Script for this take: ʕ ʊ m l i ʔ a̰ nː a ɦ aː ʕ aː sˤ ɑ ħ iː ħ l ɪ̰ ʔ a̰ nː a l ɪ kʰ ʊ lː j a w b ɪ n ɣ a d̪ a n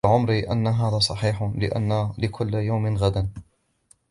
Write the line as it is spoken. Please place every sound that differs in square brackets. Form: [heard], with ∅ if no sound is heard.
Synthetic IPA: ʕ ʊ m [ɾ] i ʔ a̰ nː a ɦ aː [ð] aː sˤ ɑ ħ iː ħ l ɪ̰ ʔ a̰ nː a l ɪ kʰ ʊ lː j a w [m] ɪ n ɣ a d̪ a n